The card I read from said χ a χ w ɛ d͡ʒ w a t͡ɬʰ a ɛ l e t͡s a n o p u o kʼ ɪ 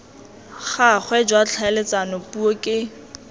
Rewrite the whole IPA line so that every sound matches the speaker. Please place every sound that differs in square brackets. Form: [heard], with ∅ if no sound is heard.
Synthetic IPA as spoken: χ a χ w ɛ d͡ʒ w a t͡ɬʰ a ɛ l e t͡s a n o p u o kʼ ɪ